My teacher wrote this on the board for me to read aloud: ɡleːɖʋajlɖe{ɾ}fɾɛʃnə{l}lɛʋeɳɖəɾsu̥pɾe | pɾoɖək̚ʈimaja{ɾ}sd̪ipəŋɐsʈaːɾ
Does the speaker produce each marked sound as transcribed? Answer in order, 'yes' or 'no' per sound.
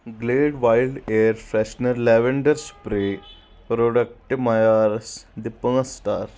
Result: yes, no, yes

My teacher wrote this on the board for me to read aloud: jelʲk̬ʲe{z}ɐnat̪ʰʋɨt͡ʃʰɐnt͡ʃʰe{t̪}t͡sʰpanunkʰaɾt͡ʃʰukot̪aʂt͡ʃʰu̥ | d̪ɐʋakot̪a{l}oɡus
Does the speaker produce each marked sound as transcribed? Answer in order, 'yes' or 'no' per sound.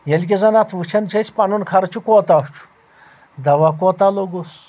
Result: yes, no, yes

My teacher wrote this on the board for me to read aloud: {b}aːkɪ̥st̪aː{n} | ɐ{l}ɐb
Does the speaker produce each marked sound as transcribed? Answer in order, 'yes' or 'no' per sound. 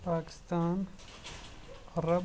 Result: no, yes, no

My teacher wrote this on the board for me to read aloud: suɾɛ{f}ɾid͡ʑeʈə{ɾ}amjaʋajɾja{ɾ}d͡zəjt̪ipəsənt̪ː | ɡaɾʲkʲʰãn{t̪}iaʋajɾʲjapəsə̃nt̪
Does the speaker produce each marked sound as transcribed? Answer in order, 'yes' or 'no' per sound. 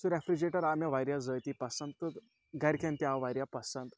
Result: yes, yes, no, yes

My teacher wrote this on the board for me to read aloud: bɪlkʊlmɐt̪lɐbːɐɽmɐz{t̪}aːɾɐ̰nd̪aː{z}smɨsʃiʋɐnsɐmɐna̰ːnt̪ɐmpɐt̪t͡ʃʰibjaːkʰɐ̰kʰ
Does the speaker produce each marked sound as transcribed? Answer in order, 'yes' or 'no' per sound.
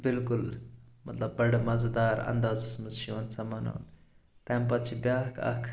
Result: no, yes

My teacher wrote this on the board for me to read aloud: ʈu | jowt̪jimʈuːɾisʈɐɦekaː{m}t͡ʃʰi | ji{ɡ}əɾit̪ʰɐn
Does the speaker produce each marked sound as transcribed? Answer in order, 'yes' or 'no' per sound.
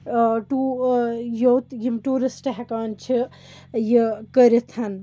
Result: no, no

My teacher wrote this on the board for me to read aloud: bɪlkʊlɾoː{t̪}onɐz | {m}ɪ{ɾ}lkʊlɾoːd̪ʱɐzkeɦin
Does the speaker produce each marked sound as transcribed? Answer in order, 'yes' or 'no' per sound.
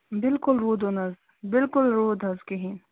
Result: no, no, no

